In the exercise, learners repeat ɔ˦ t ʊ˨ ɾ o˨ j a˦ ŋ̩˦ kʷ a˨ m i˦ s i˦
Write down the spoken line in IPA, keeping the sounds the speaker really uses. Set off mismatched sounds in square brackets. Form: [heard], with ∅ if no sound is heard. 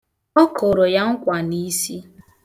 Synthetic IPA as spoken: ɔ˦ [k] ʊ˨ ɾ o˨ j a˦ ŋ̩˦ kʷ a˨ [n] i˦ s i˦